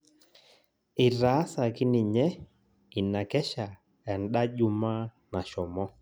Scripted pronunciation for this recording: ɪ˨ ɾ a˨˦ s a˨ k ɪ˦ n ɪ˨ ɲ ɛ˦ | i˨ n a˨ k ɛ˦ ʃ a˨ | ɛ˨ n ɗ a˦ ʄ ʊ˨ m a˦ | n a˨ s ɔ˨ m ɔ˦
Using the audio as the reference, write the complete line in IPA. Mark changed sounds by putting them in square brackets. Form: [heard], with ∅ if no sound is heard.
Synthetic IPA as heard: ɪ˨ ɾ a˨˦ s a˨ k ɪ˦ n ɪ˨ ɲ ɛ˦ | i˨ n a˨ k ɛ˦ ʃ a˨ | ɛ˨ n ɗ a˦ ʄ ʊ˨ m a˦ | n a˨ [ʃ] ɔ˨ m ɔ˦